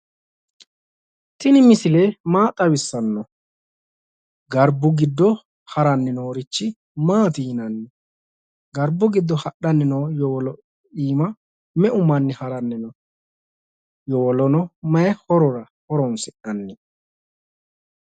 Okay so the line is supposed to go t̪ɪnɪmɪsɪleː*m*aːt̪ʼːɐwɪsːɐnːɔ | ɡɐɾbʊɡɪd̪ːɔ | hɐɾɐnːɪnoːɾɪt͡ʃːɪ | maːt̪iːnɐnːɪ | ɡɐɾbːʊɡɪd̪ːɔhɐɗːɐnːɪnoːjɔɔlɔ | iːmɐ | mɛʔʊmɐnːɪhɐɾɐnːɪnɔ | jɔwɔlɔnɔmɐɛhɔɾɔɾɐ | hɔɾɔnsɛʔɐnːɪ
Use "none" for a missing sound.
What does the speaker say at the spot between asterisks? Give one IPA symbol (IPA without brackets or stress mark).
m